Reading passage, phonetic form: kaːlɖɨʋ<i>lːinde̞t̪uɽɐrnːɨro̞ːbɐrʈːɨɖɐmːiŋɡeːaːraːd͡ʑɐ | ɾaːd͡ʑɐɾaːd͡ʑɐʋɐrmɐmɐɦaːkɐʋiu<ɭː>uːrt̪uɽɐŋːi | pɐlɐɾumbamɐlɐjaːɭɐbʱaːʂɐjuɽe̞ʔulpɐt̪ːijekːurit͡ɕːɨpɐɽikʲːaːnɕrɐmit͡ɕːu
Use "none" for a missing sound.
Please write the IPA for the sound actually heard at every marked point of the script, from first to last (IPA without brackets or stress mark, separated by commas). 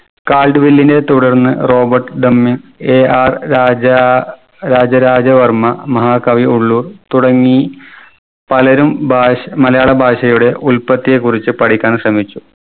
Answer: i, ɭː